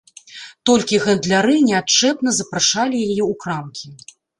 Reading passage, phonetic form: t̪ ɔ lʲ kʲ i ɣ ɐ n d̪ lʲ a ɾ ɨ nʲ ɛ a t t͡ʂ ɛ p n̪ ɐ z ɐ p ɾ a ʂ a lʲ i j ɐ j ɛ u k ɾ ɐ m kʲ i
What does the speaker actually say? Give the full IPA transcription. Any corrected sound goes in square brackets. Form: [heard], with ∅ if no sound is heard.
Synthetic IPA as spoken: t̪ ɔ lʲ kʲ i ɣ ɐ n d̪ lʲ a ɾ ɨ nʲ ɛ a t t͡ʂ ɛ p n̪ ɐ z ɐ p ɾ a ʂ a lʲ i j [a] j ɛ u k ɾ [a] m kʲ i